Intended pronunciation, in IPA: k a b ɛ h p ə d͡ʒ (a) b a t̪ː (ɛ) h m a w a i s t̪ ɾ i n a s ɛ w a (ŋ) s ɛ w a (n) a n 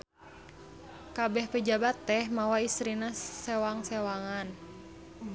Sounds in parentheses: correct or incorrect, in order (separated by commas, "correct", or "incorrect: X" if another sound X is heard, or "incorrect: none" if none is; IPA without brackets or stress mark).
correct, correct, correct, incorrect: ŋ